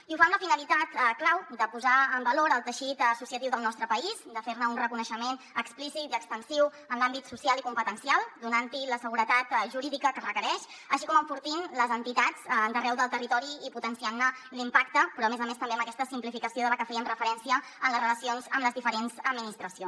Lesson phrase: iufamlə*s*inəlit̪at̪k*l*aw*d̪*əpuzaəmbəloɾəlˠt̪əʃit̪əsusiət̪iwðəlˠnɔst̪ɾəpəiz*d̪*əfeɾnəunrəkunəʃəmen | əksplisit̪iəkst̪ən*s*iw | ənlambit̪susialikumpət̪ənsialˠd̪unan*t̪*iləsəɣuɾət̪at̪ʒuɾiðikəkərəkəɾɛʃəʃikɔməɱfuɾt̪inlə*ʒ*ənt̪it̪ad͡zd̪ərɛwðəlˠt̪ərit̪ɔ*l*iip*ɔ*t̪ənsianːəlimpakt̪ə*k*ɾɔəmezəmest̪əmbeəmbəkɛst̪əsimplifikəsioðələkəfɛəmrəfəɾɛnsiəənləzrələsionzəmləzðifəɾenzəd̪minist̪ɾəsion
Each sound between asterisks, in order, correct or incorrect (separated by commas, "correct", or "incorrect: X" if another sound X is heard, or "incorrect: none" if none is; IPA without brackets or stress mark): incorrect: f, correct, correct, correct, correct, correct, incorrect: z, incorrect: ɾ, incorrect: u, incorrect: p